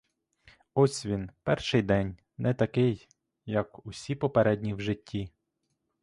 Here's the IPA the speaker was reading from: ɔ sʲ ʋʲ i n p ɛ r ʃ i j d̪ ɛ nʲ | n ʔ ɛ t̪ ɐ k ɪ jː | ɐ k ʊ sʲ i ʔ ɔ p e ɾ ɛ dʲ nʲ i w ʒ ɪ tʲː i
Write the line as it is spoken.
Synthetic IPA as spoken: ɔ sʲ ʋʲ i n p ɛ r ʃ ɪ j d̪ ɛ nʲ | n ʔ ɛ t̪ ɐ k ɪ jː | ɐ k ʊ sʲ i p ɔ p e ɾ ɛ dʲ nʲ i w ʒ ɪ tʲː i